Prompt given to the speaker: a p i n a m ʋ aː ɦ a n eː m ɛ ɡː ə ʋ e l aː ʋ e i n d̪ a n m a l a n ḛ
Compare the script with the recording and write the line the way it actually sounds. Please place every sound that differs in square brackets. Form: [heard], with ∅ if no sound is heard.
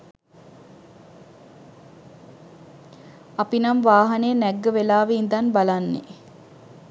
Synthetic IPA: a p i n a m ʋ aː ɦ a n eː [n] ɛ ɡː ə ʋ e l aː ʋ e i n d̪ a n [b] a l a [nː] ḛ